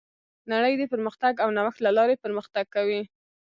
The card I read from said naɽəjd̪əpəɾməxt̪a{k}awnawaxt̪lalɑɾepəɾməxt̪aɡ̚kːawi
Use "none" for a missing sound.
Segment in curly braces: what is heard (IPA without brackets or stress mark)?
ɡ